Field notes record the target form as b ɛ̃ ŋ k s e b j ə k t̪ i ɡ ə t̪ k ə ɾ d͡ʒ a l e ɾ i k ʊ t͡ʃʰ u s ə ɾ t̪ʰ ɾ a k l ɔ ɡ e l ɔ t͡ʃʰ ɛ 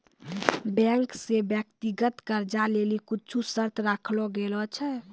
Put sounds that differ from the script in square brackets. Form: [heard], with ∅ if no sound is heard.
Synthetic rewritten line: b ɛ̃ ŋ k s e b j ə k t̪ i ɡ ə t̪ k ə ɾ d͡ʒ a l e [l] i k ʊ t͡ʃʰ u s ə ɾ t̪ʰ ɾ a [kʰ] l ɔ ɡ e l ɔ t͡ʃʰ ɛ